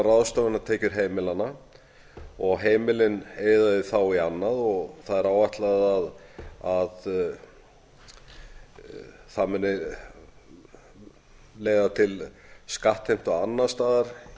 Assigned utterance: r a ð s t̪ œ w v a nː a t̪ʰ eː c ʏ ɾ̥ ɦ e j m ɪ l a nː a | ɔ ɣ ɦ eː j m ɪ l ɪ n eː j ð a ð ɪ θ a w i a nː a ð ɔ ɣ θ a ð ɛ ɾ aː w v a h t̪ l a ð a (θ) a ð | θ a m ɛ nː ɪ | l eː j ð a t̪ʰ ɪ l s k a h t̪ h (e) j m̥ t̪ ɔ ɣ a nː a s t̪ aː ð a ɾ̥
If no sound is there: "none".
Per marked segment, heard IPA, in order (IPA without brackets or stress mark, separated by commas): ð, e